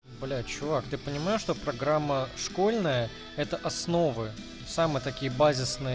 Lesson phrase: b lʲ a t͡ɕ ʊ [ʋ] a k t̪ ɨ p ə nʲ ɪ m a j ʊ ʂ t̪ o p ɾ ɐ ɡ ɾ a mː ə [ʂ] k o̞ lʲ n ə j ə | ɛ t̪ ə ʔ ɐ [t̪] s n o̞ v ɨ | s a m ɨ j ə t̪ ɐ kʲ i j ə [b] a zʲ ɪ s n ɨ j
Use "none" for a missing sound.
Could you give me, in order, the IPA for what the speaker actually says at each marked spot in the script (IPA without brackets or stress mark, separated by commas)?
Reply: v, ʂ, none, b